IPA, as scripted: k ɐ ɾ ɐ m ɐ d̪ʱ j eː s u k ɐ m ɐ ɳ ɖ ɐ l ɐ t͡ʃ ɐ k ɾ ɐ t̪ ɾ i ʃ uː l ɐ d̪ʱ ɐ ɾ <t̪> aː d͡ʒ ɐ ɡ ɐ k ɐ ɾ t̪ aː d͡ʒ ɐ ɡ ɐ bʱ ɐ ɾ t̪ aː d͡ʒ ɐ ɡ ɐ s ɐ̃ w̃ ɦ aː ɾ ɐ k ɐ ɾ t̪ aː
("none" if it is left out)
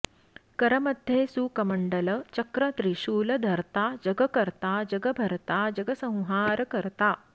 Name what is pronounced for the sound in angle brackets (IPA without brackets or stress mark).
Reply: t̪